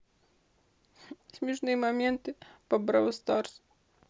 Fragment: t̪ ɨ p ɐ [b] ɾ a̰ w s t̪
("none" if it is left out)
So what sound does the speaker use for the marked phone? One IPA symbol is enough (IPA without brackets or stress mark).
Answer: b